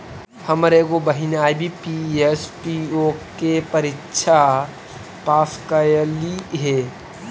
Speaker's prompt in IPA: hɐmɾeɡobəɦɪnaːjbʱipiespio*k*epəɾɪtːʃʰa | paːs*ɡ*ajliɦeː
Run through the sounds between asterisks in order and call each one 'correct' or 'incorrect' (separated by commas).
correct, incorrect